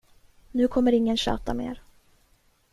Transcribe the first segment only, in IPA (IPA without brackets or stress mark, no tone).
n